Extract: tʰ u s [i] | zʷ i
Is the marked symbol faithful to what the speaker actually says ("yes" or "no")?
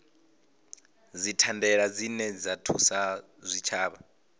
no